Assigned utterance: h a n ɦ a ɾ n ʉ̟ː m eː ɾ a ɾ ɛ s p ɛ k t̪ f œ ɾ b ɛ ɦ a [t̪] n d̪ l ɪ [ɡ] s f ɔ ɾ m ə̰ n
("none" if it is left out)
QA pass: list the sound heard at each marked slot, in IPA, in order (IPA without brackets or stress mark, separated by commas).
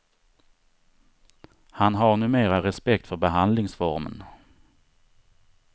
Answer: none, ŋ